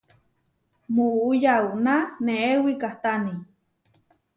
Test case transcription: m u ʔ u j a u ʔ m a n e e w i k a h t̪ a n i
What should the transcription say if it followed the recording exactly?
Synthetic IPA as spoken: m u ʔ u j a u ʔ n a n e e w i k a h t̪ a n i

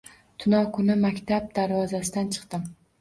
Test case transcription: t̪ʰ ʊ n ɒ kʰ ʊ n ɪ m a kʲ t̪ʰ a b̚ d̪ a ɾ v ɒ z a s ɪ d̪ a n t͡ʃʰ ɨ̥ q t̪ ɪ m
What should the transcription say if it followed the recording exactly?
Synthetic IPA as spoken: t̪ʰ ʊ n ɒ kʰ ʊ n ɪ m a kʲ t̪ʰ a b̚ d̪ a ɾ v ɒ z a s ɪ d̪ a n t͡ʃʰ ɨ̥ q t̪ ɪ m

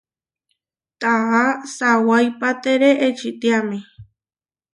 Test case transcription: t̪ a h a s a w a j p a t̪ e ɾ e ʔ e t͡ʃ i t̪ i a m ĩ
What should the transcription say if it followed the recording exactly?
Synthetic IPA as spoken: t̪ a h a s a w a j p a t̪ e ɾ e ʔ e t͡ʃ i t̪ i a m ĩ

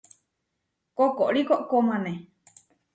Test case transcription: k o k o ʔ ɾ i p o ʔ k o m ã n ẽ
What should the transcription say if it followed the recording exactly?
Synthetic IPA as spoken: k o k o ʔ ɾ i k o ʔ k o m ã n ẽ

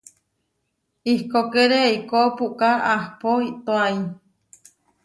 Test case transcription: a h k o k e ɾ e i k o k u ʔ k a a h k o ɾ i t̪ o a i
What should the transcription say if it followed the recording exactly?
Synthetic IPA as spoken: i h k o k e ɾ e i k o p u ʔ k a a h p o i t̪ o a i

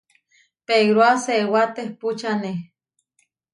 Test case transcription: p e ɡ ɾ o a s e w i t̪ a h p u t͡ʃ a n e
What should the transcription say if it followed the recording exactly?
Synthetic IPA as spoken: p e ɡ ɾ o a s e w a t̪ e h p u t͡ʃ a n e

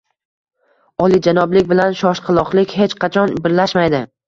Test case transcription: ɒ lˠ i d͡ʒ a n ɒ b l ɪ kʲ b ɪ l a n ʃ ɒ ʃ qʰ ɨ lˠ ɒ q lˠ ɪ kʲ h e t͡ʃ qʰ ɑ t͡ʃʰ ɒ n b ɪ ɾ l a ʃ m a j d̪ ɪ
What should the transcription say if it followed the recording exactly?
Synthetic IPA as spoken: ɒ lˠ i d͡ʒ a n ɒ b l ɪ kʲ b ɪ l a n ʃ ɒ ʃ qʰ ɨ lˠ ɒ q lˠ ɪ kʲ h e t͡ʃ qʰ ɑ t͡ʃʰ ɒ n b ɪ ɾ l a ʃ m a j d̪ ɪ

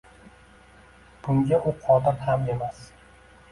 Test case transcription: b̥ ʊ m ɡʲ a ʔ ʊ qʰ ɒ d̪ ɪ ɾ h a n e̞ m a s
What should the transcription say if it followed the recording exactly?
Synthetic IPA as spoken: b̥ ʊ ŋ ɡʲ a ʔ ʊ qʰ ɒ d̪ ɪ ɾ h a m e̞ m a s

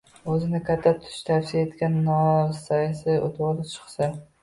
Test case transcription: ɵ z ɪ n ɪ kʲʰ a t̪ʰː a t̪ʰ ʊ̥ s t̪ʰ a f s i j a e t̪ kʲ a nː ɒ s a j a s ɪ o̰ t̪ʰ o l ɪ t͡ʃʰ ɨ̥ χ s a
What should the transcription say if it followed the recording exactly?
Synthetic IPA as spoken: ɵ z ɪ n ɪ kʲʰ a t̪ʰː a t̪ʰ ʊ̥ ʃ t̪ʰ a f s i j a e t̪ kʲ a nː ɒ s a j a s ɪ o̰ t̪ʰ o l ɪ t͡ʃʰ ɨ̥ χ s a

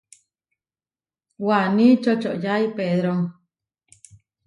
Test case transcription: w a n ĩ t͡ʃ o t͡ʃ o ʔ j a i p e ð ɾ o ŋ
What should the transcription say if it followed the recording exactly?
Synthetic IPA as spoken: w a n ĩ t͡ʃ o t͡ʃ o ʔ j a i p e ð ɾ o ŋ

